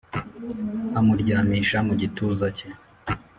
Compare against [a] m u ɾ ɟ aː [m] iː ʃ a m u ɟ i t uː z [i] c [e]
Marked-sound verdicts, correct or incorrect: correct, correct, incorrect, correct

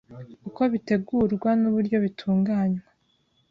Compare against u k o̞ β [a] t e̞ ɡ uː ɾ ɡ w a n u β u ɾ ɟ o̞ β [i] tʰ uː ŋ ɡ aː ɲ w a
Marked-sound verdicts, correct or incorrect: incorrect, correct

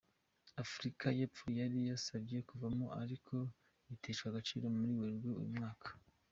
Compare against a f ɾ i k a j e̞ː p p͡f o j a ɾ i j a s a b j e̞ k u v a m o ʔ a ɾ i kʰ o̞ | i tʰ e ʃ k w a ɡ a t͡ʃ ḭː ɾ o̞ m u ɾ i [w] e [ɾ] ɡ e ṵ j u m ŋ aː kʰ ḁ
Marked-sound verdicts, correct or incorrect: correct, correct

